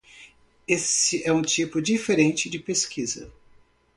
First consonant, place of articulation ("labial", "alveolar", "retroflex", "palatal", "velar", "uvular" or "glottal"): alveolar